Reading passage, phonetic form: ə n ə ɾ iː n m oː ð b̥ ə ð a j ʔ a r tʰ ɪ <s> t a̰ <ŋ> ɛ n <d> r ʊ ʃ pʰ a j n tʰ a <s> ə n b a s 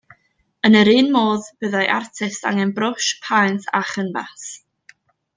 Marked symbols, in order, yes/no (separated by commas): yes, yes, no, no